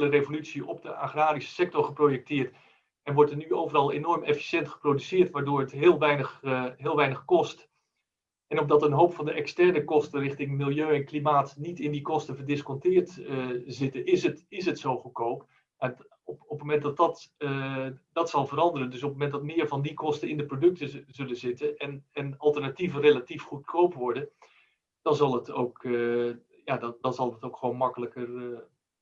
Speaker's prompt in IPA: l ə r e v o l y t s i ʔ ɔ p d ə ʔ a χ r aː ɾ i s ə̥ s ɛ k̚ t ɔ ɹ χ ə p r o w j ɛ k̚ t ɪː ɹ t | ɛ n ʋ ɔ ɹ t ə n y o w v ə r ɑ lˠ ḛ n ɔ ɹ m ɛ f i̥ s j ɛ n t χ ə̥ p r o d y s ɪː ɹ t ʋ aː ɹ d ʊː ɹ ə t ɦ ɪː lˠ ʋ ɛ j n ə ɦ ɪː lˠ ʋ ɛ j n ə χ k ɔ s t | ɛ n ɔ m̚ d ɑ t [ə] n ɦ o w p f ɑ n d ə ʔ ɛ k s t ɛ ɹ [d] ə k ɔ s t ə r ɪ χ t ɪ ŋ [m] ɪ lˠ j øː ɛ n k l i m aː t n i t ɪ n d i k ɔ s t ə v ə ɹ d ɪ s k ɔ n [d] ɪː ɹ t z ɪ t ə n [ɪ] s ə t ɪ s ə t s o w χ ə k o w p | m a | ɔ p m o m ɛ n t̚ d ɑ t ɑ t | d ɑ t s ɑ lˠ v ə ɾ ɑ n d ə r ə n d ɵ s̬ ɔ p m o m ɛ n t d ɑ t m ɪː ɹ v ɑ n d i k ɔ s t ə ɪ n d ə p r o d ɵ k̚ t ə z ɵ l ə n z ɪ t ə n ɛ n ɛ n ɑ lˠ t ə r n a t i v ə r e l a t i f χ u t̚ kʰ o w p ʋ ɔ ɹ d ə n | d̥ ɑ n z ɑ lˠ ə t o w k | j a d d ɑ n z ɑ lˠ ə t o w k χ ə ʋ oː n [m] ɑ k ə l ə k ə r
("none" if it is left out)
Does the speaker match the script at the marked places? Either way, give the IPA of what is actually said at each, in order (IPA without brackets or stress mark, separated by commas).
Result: ə, n, m, t, ɪ, m